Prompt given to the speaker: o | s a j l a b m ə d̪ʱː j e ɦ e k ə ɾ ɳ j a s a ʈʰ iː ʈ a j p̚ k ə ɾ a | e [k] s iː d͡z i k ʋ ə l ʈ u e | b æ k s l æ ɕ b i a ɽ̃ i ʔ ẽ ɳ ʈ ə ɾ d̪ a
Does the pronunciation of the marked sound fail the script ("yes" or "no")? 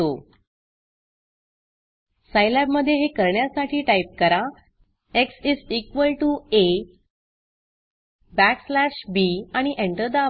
no